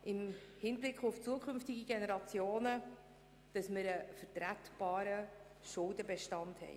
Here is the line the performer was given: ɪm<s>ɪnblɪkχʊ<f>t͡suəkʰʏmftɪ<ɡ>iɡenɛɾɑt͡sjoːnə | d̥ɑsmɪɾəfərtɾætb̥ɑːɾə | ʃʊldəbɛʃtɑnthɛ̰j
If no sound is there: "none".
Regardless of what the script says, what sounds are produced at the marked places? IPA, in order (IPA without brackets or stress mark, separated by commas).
h, f, ɡ